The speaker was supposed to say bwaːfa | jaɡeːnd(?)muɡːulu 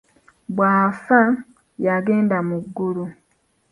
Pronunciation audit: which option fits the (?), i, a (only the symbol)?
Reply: a